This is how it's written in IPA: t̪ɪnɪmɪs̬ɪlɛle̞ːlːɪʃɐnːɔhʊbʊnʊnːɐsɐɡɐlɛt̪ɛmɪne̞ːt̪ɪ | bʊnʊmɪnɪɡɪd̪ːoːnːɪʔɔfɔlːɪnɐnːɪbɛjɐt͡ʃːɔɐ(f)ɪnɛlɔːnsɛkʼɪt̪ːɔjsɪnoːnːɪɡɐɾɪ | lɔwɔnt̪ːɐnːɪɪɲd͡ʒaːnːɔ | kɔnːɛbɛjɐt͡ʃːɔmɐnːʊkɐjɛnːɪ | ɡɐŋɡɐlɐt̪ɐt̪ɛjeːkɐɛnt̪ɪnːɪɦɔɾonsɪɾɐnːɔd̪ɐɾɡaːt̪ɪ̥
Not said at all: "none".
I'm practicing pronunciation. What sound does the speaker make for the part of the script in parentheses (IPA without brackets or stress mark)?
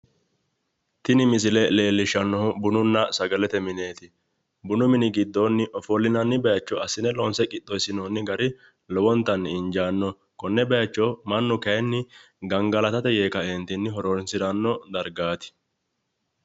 s